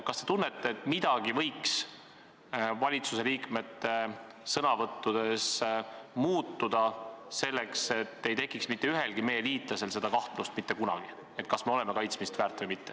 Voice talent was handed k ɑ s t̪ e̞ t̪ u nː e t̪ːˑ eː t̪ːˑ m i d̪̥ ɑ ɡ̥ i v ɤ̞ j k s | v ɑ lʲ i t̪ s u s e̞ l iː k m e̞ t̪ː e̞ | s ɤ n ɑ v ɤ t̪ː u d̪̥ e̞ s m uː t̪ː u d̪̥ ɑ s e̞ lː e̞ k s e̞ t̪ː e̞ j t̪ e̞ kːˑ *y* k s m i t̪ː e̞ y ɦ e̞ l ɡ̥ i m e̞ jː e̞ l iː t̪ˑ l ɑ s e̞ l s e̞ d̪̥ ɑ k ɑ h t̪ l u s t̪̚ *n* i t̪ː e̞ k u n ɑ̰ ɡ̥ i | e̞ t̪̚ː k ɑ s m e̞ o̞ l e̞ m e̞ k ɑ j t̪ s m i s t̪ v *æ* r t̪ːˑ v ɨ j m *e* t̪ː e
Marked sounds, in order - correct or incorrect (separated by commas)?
incorrect, incorrect, incorrect, incorrect